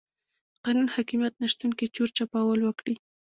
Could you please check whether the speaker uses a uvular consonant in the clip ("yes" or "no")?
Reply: yes